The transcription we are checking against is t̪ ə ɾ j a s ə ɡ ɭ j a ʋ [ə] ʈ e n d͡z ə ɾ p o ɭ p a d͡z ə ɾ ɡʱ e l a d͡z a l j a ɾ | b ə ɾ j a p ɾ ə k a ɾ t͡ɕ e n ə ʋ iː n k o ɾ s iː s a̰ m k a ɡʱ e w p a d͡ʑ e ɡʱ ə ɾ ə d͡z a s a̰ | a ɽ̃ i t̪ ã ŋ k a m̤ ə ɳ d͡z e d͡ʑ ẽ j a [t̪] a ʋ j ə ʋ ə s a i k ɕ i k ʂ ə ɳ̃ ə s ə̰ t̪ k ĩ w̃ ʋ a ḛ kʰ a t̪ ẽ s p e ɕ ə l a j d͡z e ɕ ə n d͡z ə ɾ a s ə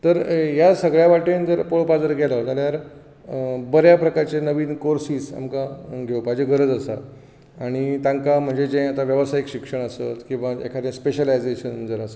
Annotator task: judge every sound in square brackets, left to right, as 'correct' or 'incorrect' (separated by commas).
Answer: incorrect, correct